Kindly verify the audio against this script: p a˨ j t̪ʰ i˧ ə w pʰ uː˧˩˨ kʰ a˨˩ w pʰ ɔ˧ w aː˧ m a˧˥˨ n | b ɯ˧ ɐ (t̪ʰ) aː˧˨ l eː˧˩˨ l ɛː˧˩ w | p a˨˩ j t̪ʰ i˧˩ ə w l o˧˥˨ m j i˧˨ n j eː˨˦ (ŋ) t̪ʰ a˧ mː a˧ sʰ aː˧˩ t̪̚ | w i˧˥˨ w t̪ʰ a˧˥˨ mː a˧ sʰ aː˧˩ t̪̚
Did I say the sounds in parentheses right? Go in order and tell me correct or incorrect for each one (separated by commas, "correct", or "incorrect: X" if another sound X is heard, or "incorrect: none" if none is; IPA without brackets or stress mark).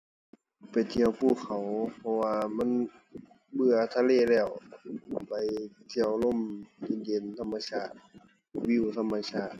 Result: correct, incorrect: n